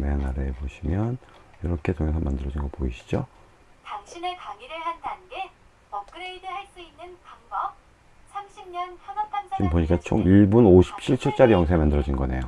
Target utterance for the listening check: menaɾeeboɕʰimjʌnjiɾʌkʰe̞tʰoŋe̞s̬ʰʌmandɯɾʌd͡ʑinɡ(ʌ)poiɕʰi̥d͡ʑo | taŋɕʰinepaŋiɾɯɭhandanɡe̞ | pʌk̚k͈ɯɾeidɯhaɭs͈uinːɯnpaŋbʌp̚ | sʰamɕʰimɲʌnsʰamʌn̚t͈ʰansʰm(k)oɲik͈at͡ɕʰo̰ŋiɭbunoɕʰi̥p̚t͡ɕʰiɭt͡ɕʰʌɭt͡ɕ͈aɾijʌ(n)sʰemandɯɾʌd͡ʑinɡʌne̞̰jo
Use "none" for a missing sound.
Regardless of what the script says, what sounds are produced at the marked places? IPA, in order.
ʌ, p, ŋ

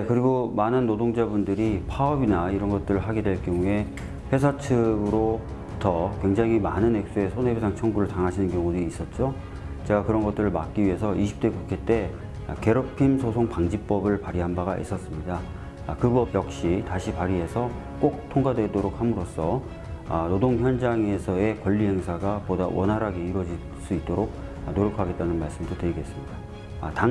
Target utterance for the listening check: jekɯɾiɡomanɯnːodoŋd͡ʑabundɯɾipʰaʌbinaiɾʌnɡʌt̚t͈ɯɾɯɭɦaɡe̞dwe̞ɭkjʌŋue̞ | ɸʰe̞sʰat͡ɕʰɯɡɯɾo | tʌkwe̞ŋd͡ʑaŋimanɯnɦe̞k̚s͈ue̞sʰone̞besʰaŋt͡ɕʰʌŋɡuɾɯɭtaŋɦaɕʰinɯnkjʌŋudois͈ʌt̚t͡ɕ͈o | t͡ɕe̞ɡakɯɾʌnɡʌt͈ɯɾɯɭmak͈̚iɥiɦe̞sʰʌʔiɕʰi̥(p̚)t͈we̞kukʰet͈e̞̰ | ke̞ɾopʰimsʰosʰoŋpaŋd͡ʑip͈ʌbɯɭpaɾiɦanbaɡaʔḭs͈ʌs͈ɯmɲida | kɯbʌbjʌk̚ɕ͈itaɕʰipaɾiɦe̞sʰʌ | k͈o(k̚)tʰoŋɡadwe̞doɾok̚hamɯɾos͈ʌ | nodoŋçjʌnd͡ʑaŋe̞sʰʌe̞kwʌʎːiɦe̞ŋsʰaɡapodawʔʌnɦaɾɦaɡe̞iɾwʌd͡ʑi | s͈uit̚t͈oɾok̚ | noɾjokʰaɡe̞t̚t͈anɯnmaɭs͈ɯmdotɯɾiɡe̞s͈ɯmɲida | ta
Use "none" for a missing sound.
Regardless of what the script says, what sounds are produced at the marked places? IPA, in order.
p̚, k̚

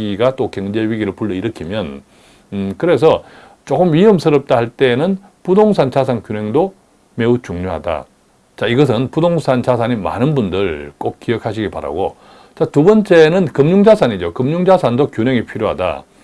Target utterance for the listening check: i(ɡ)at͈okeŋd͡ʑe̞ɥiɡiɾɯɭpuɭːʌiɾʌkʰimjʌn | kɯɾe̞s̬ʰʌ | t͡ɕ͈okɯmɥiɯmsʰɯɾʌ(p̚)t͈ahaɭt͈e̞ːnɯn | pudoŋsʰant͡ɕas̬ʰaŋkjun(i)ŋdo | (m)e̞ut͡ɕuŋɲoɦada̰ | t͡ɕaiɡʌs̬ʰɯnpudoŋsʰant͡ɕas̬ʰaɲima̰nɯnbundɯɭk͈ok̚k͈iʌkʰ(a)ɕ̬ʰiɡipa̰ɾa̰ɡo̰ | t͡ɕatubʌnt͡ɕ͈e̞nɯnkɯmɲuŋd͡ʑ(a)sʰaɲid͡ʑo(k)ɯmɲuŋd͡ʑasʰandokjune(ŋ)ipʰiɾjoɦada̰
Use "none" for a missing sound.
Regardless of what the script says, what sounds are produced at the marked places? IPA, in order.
ɡ, p̚, e, m, a, a, k, ŋ

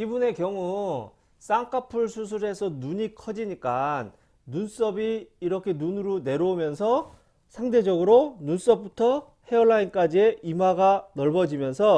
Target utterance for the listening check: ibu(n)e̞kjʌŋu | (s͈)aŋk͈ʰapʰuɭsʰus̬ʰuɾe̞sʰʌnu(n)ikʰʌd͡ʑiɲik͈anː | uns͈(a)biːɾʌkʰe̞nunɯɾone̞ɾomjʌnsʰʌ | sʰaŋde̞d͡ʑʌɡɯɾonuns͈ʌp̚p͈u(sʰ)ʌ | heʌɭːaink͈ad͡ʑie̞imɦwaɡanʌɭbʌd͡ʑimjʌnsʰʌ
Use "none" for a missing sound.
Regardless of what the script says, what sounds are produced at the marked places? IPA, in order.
n, s͈, ɲ, ʌ, tʰ

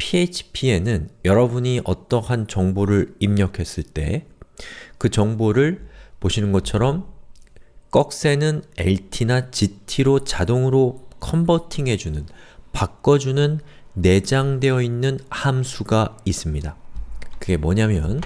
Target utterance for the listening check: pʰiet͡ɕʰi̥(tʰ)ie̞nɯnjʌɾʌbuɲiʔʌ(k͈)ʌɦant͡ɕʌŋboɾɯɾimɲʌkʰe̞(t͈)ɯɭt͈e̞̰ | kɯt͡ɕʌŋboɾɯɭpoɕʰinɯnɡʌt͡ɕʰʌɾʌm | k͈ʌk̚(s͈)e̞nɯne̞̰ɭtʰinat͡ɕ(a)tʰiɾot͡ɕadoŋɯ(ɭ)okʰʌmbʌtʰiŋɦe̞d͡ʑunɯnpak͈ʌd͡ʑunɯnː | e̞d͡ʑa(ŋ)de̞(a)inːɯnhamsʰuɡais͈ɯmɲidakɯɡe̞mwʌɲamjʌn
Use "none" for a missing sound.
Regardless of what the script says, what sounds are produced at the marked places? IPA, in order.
pʰ, t͈, s͈, s͈, i, ɾ, ŋ, ʌ

